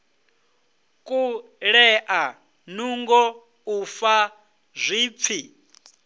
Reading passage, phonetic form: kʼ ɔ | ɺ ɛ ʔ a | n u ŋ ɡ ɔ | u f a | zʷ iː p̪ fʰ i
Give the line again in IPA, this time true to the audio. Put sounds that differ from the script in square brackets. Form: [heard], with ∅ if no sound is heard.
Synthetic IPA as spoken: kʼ [u] | ɺ ɛ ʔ a | n u ŋ ɡ ɔ | u f a | zʷ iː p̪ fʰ i